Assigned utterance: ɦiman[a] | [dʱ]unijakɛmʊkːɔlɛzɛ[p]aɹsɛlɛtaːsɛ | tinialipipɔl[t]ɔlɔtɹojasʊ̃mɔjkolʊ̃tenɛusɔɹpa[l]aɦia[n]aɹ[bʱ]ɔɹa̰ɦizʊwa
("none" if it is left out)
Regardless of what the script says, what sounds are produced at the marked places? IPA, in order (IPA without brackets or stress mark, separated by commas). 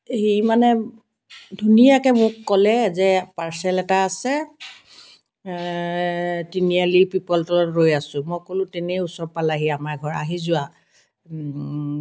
ɛ, dʱ, p, t, l, m, ɡʱ